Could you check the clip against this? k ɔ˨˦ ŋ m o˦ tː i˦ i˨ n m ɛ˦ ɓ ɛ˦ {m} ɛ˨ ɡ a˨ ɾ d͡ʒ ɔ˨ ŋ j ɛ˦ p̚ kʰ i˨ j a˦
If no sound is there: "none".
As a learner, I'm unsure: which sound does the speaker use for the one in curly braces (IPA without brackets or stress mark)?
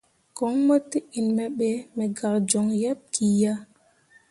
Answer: m